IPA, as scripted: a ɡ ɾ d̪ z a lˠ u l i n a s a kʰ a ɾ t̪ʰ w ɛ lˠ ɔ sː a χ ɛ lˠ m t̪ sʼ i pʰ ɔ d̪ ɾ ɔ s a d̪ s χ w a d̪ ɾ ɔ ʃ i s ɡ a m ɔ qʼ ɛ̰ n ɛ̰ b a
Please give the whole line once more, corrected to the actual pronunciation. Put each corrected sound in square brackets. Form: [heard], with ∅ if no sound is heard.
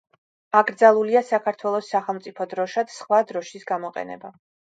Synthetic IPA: a ɡ ɾ d̪ z a lˠ u l i [∅] a s a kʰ a ɾ t̪ʰ w ɛ lˠ ɔ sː a χ ɛ lˠ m t̪ sʼ i pʰ ɔ d̪ ɾ ɔ [ʃ] a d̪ s χ w a d̪ ɾ ɔ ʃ i s ɡ a m ɔ qʼ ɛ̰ n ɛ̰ b a